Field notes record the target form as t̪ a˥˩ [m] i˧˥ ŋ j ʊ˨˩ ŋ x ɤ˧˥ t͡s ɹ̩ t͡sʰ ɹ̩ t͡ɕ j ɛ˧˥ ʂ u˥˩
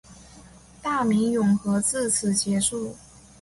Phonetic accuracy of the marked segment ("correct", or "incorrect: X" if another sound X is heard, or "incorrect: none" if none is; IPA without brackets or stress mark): correct